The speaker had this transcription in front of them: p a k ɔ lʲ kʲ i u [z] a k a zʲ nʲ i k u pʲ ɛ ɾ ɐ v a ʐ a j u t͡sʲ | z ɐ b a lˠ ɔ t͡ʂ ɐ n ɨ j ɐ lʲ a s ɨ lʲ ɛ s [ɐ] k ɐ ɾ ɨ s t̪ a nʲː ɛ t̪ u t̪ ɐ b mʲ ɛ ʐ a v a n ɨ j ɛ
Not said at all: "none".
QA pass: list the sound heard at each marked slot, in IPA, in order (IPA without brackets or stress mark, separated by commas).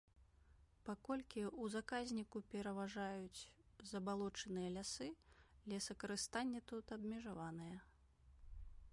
z, ɐ